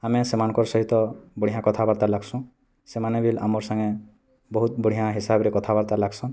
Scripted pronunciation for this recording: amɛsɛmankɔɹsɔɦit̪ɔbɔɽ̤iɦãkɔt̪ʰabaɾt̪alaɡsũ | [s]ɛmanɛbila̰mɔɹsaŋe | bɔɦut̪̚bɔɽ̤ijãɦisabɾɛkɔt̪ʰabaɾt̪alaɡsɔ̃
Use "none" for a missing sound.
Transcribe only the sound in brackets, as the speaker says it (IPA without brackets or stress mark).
s